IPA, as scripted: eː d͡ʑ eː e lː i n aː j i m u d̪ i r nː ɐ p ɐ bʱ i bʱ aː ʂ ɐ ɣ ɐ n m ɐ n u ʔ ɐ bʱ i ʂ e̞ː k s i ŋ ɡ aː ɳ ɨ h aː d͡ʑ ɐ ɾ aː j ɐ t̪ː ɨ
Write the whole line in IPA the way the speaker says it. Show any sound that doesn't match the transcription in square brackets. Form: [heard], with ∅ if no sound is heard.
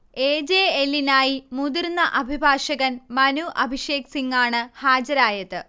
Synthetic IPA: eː d͡ʑ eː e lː i n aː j i m u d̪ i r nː ɐ [ʔ] ɐ bʱ i bʱ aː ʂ ɐ ɣ ɐ n m ɐ n u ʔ ɐ bʱ i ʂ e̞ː k s i ŋ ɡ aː ɳ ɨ h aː d͡ʑ ɐ ɾ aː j ɐ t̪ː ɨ